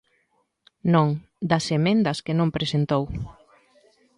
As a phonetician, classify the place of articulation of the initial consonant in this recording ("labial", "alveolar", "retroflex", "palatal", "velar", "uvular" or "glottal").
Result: alveolar